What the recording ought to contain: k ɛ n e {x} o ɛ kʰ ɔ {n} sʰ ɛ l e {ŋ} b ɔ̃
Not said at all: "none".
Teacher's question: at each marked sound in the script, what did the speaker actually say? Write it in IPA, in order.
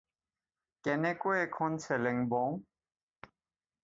k, n, ŋ

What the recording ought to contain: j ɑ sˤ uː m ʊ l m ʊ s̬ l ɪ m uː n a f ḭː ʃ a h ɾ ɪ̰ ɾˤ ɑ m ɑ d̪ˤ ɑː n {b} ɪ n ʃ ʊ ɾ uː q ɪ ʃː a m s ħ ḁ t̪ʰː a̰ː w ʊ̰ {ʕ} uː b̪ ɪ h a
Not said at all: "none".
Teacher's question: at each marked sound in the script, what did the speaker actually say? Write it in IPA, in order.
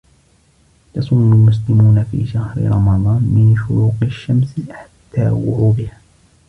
m, ʕ

